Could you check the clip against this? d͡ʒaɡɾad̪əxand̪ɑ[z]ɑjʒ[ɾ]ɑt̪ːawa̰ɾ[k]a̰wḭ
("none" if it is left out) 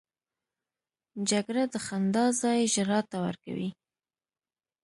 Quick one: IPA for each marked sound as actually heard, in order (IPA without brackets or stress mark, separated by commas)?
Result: z, ɾ, k